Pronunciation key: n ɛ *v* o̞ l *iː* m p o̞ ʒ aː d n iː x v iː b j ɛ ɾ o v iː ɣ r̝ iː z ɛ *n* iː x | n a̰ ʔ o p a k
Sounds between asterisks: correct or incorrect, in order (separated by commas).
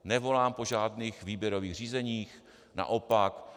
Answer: correct, incorrect, incorrect